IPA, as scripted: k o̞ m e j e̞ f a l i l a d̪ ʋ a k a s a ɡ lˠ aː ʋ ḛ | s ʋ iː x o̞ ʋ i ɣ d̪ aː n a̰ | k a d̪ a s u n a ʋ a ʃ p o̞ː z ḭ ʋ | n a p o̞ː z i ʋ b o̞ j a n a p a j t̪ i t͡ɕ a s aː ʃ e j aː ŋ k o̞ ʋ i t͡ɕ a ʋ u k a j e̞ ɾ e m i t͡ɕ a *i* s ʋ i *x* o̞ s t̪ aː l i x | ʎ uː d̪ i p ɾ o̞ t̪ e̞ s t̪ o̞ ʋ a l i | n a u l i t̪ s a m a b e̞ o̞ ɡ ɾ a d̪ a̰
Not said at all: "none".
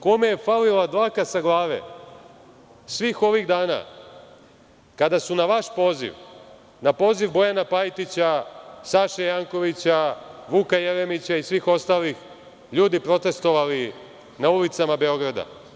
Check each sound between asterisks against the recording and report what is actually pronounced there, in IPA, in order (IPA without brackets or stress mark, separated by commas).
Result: i, x